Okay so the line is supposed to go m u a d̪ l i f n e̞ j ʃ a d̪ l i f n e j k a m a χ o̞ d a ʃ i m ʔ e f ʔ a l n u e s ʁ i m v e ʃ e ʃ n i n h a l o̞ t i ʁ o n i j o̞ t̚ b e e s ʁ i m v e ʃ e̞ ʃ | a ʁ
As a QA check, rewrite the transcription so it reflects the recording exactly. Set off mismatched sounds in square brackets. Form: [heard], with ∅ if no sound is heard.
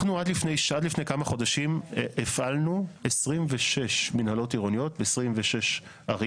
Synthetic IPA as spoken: [n] u a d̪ l i f n e̞ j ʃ a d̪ l i f n e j k a m a χ o̞ d a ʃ i m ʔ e f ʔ a l n u e s ʁ i m v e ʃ e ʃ [m] i n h a l o̞ t i ʁ o n i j o̞ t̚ b e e s ʁ i m v e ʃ e̞ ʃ | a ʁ